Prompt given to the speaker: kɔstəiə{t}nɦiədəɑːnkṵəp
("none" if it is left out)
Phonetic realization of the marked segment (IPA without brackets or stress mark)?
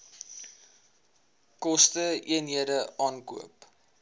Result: none